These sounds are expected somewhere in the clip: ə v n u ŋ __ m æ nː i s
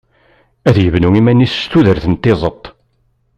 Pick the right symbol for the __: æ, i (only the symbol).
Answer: i